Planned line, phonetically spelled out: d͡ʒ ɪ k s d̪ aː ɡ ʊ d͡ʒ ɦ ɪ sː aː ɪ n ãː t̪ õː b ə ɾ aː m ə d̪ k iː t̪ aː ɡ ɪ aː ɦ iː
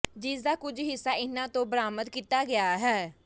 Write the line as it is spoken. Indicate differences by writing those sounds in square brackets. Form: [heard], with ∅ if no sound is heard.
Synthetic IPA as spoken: d͡ʒ ɪ [∅] s d̪ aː [k] ʊ d͡ʒ ɦ ɪ sː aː ɪ n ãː t̪ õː b ə ɾ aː m ə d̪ k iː t̪ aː ɡ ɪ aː ɦ [ɛː]